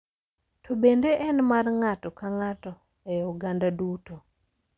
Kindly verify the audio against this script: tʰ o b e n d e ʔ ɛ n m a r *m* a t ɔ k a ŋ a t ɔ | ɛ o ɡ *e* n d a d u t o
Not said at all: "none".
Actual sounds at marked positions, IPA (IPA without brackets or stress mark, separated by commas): ŋ, a